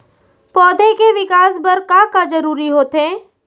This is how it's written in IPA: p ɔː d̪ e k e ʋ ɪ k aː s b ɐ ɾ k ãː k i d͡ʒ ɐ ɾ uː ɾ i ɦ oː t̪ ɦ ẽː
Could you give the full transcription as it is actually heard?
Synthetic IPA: p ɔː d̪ e k e ʋ ɪ k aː s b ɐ ɾ k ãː k a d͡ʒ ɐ ɾ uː ɾ i ɦ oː t̪ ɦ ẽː